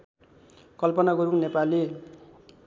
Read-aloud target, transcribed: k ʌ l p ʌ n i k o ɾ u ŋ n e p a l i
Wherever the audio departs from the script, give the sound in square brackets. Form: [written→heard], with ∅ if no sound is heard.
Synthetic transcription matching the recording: k ʌ l p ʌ n [i→a] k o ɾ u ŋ n e p a l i